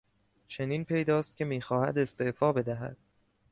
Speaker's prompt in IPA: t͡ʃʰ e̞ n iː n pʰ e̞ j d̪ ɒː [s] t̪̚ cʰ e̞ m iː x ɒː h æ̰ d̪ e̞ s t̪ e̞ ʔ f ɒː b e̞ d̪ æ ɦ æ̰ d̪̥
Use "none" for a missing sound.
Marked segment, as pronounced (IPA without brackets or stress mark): s